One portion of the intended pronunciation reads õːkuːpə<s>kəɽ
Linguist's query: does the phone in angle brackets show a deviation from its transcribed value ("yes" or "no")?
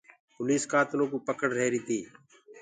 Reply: yes